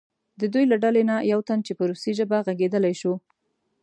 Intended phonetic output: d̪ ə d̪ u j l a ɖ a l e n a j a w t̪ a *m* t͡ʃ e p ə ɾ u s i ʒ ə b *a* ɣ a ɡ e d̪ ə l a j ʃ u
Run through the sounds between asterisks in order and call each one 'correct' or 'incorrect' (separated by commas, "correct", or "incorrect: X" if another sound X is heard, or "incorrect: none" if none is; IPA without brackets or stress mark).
incorrect: n, correct